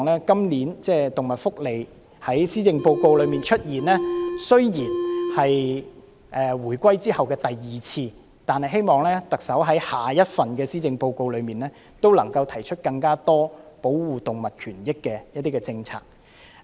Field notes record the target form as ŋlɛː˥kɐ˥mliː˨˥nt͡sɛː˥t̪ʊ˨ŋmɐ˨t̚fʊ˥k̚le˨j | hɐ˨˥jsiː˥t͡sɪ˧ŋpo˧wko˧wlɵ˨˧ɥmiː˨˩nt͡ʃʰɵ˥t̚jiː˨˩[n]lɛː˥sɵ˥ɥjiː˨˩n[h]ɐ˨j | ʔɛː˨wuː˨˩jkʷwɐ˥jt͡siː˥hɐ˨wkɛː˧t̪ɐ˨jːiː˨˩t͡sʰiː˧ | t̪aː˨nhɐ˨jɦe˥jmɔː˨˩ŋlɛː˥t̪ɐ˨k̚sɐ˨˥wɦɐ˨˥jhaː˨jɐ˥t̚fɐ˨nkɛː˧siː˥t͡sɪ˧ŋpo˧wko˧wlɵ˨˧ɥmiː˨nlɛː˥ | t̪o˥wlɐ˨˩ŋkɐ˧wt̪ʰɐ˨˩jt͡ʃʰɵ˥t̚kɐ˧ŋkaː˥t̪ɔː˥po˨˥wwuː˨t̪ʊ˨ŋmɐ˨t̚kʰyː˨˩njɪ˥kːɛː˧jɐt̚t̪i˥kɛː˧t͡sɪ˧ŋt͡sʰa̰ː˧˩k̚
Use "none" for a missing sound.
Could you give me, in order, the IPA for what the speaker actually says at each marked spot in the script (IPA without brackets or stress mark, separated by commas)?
n, h